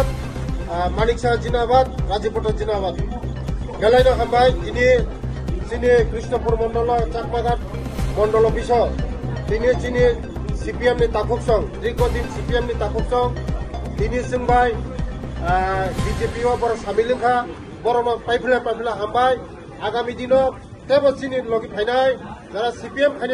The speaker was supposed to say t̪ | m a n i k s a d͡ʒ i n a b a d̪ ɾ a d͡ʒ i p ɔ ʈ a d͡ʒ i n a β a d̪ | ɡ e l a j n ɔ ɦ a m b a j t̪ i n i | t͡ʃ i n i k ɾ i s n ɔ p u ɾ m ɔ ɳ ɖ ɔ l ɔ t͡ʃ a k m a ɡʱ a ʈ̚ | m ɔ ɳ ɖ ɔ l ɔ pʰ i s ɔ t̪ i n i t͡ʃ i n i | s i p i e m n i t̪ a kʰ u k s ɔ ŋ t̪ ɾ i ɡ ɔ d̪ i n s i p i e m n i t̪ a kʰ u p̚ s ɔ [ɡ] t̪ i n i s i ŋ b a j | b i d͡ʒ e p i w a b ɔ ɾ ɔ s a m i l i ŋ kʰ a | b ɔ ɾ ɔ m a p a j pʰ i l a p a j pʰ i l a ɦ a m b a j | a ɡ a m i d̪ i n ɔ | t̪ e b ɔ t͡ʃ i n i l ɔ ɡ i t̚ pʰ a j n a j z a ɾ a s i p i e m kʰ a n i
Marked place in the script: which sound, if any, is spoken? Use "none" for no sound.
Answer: ŋ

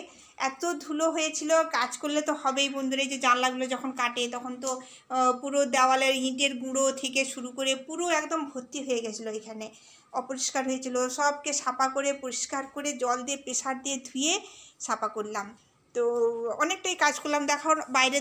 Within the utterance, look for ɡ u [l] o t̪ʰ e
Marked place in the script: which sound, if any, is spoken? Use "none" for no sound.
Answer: ɽ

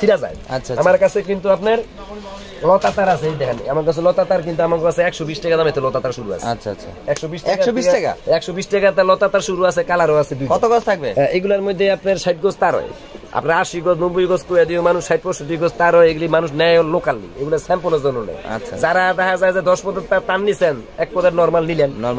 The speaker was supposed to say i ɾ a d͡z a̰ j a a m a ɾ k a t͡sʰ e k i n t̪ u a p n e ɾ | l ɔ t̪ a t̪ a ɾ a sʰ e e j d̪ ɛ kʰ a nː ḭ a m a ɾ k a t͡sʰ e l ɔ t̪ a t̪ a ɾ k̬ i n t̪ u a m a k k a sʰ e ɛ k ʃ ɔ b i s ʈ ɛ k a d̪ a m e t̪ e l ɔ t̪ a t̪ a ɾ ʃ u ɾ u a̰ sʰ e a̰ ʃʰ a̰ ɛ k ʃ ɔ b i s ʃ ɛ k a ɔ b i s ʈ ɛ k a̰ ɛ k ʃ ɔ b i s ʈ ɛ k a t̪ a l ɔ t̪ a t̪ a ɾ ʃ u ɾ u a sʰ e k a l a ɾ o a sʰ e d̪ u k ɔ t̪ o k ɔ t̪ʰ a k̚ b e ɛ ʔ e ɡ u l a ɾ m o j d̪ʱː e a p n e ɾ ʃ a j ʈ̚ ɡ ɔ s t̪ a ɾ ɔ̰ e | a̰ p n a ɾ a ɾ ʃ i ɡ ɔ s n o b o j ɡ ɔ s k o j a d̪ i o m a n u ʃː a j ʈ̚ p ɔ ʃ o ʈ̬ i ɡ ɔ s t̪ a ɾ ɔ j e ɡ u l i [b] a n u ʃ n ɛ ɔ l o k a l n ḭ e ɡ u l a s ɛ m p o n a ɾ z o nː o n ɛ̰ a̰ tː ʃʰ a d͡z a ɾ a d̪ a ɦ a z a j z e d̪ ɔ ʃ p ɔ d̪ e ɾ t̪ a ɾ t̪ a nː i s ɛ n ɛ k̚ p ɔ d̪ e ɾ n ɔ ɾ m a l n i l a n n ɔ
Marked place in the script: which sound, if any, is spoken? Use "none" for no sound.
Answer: m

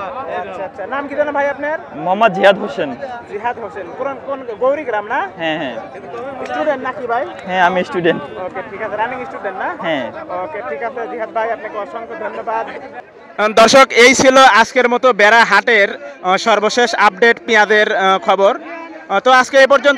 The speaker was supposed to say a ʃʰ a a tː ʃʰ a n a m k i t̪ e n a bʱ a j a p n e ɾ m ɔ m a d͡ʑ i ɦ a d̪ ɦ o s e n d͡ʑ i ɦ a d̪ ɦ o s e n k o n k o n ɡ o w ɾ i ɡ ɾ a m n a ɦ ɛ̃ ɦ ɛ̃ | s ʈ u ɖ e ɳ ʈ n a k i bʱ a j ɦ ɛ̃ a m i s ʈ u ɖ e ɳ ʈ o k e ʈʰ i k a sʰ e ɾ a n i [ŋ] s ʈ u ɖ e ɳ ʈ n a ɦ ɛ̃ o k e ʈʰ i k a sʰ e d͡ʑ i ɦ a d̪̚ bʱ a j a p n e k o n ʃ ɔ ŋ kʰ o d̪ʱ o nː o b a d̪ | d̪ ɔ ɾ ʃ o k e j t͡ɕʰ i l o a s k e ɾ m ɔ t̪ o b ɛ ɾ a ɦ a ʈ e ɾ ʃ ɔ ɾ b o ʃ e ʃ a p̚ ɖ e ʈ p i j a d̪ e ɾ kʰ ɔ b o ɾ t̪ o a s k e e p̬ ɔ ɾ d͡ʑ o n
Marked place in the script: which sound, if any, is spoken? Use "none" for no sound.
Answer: ŋ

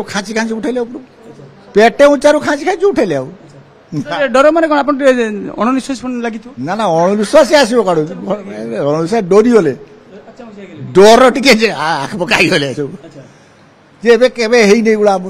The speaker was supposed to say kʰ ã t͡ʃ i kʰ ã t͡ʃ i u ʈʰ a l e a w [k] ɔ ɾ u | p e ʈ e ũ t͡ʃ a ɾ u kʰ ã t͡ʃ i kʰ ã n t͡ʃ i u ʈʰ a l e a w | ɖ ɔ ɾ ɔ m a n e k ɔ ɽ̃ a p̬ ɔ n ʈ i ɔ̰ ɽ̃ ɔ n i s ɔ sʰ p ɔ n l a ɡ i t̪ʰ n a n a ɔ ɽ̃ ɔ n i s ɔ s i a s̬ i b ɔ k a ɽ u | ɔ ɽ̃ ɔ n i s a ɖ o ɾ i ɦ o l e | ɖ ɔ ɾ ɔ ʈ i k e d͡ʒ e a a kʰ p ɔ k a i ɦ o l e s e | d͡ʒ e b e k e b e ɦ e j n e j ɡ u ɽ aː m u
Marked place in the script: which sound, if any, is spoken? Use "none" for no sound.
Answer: p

